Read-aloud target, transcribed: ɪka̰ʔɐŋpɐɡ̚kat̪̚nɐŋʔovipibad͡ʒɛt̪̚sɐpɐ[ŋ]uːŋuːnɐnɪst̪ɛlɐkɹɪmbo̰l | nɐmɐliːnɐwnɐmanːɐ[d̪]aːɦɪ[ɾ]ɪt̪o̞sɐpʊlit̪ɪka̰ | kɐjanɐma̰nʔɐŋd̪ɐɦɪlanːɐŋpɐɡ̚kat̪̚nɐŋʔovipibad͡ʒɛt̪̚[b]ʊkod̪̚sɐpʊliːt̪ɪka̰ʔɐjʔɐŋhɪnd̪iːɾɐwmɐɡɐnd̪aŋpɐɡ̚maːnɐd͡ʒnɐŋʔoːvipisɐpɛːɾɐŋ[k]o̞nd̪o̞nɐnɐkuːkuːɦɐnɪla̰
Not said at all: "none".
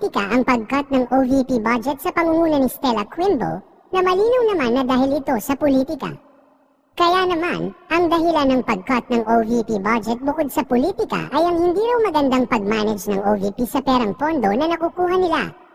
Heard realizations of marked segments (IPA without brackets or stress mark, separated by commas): ŋ, d̪, l, b, p